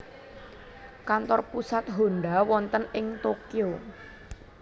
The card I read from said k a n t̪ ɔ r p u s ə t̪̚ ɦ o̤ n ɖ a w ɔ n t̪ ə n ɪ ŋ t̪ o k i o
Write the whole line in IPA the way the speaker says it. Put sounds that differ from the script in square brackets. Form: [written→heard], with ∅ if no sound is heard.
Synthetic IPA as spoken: k a n t̪ ɔ r p u s [ə→a] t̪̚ ɦ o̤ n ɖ a w ɔ n t̪ ə n ɪ ŋ t̪ o k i o